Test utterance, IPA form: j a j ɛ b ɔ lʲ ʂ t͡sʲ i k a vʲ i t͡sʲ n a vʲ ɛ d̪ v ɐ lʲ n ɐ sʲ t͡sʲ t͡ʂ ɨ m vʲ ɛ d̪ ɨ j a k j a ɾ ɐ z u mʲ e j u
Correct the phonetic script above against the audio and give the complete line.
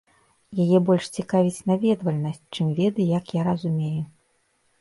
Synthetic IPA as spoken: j a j ɛ b ɔ lʲ ʂ t͡sʲ i k a vʲ i t͡sʲ n a vʲ ɛ d̪ v ɐ lʲ n ɐ sʲ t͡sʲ t͡ʂ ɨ m vʲ ɛ d̪ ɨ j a k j a ɾ ɐ z u mʲ e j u

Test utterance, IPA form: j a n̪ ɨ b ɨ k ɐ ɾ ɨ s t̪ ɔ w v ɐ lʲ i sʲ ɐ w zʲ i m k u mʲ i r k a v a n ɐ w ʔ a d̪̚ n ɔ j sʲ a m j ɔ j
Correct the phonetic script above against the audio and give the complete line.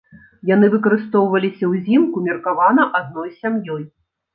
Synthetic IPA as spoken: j a n̪ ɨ v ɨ k ɐ ɾ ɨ s t̪ ɔ w v ɐ lʲ i sʲ ɐ w zʲ i m k u mʲ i r k a v a n ɐ ʔ a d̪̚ n ɔ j sʲ a m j ɔ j

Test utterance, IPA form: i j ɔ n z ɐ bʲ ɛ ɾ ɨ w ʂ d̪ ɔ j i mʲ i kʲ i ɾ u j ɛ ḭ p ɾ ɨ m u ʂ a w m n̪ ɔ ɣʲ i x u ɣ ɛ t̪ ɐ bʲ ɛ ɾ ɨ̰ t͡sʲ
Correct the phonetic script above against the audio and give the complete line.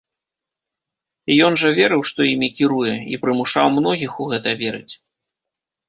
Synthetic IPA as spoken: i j ɔ n ʐ ɐ vʲ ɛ ɾ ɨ w ʂ t̪ ɔ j i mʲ i kʲ i ɾ u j ɛ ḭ p ɾ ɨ m u ʂ a w m n̪ ɔ ɣʲ i x u ɣ ɛ t̪ ɐ vʲ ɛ ɾ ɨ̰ t͡sʲ

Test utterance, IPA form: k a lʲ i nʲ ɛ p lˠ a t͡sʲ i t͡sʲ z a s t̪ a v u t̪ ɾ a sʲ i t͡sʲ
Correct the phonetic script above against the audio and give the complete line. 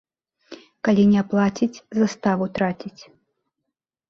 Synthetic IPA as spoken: k a lʲ i nʲ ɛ p lˠ a t͡sʲ i t͡sʲ z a s t̪ a v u t̪ ɾ a t͡sʲ i t͡sʲ

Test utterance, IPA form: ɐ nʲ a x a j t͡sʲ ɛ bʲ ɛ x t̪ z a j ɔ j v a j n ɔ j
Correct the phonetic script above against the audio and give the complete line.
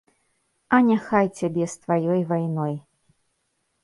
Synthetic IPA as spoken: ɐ nʲ a x a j t͡sʲ a bʲ ɛ s t̪ v a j ɔ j v a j n ɔ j

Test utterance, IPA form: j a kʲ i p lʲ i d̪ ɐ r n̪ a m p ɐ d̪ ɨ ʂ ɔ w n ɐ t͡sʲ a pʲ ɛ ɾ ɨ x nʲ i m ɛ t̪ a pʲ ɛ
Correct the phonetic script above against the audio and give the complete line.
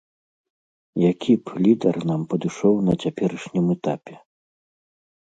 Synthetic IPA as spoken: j a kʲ i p lʲ i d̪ ɐ r n̪ a m p ɐ d̪ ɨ ʂ ɔ w n ɐ t͡sʲ a pʲ ɛ ɾ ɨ ʂ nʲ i m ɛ t̪ a pʲ ɛ

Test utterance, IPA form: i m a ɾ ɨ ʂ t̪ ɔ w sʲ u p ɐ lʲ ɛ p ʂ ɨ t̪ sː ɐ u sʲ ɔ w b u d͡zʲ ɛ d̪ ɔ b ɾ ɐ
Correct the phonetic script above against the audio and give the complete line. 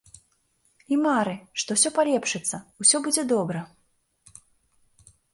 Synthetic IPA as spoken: i m a ɾ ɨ ʂ t̪ ɔ w sʲ ɔ p a lʲ ɛ p ʂ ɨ t̪ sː ɐ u sʲ ɔ b u d͡zʲ ɛ d̪ ɔ b ɾ ɐ

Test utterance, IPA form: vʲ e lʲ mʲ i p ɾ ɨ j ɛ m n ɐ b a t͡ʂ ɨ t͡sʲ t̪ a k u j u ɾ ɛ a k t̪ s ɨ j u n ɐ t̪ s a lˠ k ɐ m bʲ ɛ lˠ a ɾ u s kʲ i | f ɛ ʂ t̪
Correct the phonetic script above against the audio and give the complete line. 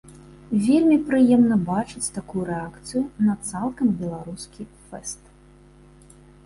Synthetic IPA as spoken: vʲ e lʲ mʲ i p ɾ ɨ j ɛ m n ɐ b a t͡ʂ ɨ t͡sʲ t̪ a k u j u ɾ ɛ a k t̪ s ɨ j u n ɐ t̪ s a lˠ k ɐ m bʲ ɛ lˠ a ɾ u s kʲ i | f ɛ s t̪

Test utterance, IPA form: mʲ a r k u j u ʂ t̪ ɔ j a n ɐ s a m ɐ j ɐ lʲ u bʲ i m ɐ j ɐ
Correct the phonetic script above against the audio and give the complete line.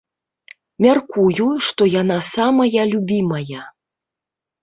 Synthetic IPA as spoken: mʲ a r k u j u ʂ t̪ ɔ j a n a s a m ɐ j ɐ lʲ u bʲ i m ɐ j ɐ

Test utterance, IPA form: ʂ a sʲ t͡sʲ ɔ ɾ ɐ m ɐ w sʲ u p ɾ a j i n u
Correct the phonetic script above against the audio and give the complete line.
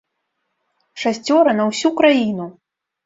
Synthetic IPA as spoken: ʂ a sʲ t͡sʲ ɔ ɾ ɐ n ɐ w sʲ u k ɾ a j i n u

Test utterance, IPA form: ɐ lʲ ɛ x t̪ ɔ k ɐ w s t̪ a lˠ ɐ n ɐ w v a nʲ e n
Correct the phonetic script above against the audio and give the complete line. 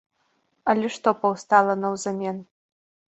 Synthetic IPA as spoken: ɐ lʲ ɛ ʂ t̪ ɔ p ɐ w s t̪ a lˠ ɐ n ɐ w z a mʲ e n

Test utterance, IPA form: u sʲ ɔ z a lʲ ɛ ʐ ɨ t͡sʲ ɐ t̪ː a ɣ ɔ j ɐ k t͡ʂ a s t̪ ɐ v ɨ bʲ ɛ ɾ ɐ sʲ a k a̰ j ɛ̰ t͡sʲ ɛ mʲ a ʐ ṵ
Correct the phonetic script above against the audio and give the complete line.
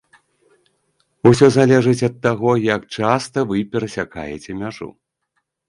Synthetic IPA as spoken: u sʲ ɔ z a lʲ ɛ ʐ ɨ t͡sʲ ɐ t̪ː a ɣ ɔ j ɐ k t͡ʂ a s t̪ ɐ v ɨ pʲ ɛ ɾ ɐ sʲ a k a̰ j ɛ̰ t͡sʲ ɛ mʲ a ʐ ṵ

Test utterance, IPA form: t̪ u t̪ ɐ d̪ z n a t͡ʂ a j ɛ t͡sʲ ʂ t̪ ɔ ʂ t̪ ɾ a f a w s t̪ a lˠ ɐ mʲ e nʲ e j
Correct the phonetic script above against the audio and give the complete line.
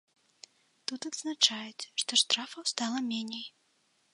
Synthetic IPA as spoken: t̪ u t̪ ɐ d̪ z n a t͡ʂ a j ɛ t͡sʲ ʂ t̪ ɔ ʂ t̪ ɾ a f ɐ w s t̪ a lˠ ɐ mʲ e nʲ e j

